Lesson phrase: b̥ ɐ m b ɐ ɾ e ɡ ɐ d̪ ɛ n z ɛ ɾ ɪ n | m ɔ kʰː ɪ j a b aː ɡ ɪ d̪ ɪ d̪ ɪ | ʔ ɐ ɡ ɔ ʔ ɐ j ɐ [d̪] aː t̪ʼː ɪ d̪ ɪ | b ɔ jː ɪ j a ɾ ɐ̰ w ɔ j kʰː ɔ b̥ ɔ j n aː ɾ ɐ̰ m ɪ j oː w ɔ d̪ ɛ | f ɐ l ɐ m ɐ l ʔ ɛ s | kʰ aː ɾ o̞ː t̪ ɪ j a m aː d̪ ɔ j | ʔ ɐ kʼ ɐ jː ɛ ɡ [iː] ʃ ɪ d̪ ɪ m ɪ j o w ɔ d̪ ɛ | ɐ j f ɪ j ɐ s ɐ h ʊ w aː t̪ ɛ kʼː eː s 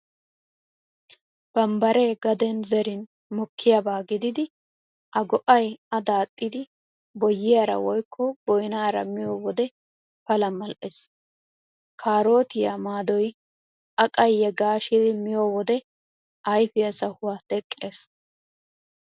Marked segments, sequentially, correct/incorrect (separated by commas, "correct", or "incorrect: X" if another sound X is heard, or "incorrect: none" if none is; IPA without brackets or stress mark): correct, incorrect: aː